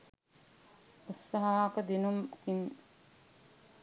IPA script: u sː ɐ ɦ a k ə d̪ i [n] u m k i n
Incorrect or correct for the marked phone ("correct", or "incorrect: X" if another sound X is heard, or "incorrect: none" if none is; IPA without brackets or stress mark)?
correct